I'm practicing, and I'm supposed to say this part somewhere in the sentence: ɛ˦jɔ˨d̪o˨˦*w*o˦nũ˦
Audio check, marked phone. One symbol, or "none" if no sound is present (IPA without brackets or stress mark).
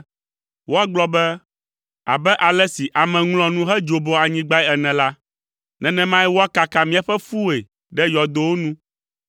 w